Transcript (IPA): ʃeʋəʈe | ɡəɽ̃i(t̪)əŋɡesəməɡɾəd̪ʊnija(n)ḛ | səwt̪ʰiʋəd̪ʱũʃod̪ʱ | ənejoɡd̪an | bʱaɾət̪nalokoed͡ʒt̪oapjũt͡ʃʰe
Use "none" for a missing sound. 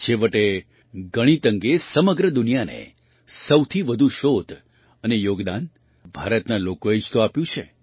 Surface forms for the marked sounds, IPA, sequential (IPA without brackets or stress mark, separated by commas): t̪, n